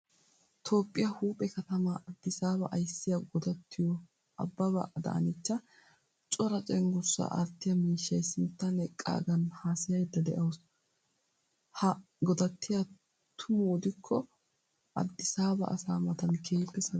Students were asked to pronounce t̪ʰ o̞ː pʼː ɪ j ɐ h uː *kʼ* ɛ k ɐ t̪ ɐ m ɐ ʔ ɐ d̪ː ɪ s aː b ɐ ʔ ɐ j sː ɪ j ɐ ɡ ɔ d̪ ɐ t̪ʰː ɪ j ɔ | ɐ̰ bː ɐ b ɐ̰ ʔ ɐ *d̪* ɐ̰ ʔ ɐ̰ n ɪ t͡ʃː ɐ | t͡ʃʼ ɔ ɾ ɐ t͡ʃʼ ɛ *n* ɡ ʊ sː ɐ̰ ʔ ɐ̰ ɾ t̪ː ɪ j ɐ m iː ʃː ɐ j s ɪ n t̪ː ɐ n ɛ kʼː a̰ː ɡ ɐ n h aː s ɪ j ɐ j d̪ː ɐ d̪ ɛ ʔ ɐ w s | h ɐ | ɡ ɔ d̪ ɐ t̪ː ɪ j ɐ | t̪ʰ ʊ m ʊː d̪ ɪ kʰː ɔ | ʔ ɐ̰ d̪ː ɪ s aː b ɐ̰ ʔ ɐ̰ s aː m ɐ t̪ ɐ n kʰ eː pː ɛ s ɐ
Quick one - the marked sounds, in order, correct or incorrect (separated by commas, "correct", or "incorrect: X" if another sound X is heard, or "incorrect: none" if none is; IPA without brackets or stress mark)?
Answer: incorrect: pʼ, correct, incorrect: ŋ